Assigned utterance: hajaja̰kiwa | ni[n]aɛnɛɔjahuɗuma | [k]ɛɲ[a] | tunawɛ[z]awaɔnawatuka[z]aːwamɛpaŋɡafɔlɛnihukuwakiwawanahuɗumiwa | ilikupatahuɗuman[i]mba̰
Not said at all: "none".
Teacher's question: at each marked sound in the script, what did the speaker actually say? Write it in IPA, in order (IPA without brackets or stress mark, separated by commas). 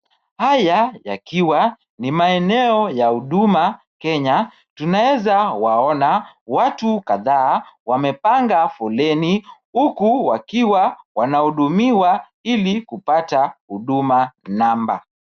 m, k, a, z, ð, a